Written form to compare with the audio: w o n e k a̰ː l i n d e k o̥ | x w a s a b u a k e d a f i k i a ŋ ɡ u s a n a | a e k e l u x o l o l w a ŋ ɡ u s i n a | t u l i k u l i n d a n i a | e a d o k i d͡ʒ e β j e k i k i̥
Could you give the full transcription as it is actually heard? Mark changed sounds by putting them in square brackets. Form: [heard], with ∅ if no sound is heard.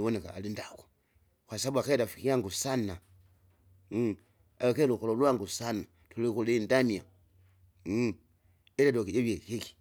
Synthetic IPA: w o n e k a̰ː l i n d [a] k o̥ | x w a s a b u a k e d a f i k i a ŋ ɡ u s a n a | a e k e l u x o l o l w a ŋ ɡ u s [a] n a | t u l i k u l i n d a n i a | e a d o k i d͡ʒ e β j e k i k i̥